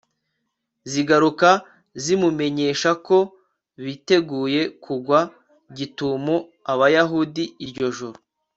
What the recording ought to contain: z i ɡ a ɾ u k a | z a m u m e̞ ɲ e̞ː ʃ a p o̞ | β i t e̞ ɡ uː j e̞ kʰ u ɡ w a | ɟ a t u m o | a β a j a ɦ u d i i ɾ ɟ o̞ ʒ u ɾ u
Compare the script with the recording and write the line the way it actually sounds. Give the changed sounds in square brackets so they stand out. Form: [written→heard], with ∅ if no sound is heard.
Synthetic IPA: z i ɡ a ɾ u k a | z [a→i] m u m e̞ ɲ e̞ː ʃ a [p→k] o̞ | β i t e̞ ɡ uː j e̞ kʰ u ɡ w a | ɟ [a→i] t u m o | a β a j a ɦ u d i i ɾ ɟ o̞ ʒ u ɾ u